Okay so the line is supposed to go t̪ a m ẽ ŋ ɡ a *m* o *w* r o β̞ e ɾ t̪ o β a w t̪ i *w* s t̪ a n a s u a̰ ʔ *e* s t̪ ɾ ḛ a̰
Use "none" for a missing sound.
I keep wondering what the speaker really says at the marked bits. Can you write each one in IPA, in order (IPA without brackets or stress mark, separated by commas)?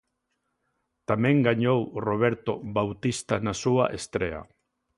ɲ, w, none, e